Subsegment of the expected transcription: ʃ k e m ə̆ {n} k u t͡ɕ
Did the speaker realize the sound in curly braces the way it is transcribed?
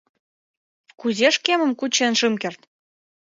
no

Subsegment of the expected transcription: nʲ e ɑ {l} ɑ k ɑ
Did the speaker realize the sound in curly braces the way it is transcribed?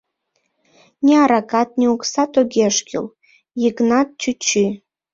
no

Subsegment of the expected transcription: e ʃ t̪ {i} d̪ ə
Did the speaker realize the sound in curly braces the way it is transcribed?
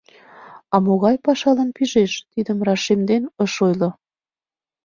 yes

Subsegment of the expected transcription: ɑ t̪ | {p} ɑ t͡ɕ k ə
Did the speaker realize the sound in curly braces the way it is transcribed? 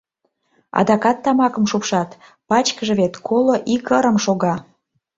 yes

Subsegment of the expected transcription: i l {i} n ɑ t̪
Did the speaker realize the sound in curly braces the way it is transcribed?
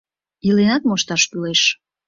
no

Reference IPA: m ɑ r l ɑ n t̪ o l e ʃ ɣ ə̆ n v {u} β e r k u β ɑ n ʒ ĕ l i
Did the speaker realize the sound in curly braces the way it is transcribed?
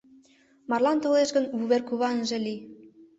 yes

